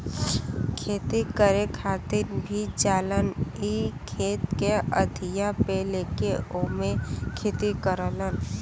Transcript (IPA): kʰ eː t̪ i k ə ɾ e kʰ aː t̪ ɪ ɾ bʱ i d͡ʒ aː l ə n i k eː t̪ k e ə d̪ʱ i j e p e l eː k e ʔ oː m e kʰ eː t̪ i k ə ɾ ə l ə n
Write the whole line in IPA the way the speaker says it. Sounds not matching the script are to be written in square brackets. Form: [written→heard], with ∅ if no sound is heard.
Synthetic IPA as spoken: kʰ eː t̪ i k ə ɾ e kʰ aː t̪ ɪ ɾ bʱ i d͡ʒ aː l ə n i [k→kʰ] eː t̪ k e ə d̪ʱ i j [e→a] p e l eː k e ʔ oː m e kʰ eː t̪ i k ə ɾ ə l ə n